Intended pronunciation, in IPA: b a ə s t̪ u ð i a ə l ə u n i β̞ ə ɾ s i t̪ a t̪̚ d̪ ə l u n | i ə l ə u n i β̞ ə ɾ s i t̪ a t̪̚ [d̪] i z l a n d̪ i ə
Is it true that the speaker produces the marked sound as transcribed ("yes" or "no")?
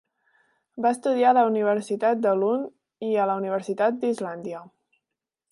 yes